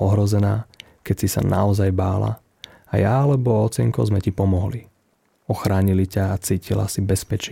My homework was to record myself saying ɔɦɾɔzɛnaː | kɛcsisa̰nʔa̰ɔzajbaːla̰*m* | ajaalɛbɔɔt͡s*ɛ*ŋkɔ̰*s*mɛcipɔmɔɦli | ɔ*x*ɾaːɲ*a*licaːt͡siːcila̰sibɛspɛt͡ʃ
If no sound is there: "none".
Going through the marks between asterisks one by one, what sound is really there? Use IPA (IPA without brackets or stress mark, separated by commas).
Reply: none, ɛ, z, x, i